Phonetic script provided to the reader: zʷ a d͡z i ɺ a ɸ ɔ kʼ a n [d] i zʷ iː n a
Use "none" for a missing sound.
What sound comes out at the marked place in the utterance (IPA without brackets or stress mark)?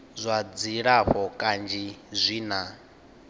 d͡ʒ